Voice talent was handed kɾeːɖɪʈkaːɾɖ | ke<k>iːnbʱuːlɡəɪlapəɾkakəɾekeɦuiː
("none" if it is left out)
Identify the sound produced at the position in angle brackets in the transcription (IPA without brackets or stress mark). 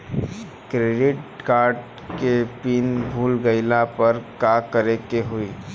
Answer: p